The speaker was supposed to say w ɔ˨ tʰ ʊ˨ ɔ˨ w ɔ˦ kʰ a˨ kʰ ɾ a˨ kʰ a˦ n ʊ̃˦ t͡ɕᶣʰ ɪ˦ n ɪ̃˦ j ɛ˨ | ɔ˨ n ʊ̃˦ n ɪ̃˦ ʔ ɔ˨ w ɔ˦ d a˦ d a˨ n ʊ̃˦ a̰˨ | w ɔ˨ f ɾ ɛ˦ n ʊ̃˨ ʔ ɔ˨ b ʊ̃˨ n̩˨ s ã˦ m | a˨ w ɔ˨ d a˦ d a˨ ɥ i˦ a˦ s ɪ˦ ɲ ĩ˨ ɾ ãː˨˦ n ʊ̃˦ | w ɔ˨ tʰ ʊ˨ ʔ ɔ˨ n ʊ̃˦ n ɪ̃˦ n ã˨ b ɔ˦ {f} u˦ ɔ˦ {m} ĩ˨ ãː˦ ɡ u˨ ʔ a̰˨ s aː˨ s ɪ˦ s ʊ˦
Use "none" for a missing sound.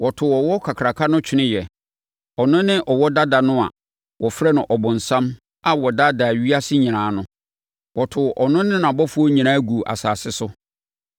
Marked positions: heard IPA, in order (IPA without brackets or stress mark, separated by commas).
f, ɲ